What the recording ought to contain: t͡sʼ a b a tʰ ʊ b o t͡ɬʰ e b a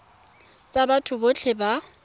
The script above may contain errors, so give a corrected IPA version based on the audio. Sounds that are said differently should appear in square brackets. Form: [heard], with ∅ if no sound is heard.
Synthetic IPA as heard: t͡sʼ a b a tʰ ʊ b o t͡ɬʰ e b a